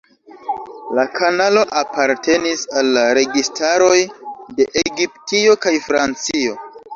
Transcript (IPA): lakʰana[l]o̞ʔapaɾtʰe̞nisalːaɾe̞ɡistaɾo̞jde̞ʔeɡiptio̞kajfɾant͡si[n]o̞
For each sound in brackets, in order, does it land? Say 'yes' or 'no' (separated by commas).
yes, no